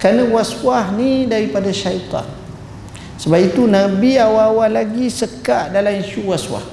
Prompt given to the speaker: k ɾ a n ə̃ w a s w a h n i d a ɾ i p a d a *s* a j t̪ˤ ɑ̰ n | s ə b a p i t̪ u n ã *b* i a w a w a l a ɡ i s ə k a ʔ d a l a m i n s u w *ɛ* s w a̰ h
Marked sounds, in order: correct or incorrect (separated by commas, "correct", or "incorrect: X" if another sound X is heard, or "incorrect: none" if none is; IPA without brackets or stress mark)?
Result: incorrect: ʃ, correct, incorrect: a